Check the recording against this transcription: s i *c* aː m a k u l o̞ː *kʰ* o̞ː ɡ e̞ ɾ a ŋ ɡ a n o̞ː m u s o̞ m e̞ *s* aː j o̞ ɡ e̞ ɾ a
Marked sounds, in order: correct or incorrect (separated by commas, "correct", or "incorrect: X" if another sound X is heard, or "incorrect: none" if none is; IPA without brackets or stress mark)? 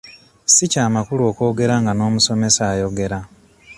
correct, incorrect: k, correct